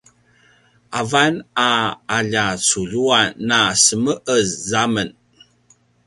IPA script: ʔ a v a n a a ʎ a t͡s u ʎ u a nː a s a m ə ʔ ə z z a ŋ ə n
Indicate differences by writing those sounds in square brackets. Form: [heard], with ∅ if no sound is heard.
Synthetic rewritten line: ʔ a v a n a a ʎ a t͡s u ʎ u a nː a s [ə] m ə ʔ ə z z a [m] ə n